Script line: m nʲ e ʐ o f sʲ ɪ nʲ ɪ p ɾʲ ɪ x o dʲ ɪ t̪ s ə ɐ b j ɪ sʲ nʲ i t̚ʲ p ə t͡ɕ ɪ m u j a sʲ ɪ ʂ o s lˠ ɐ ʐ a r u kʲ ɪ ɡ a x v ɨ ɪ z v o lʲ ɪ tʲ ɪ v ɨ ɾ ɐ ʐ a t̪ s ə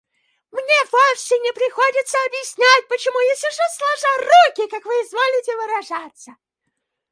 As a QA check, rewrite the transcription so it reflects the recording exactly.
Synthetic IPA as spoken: m nʲ e v o f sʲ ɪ nʲ ɪ p ɾʲ ɪ x o dʲ ɪ t̪ s ə ɐ b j ɪ sʲ nʲ æ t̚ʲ p ə t͡ɕ ɪ m u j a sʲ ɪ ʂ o s lˠ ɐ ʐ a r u kʲ ɪ k a k v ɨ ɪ z v o lʲ ɪ tʲ ɪ v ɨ ɾ ɐ ʐ a t̪ s ə